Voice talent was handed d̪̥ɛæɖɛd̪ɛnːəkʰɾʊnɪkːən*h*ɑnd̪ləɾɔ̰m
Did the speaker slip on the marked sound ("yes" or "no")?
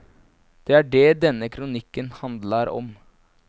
no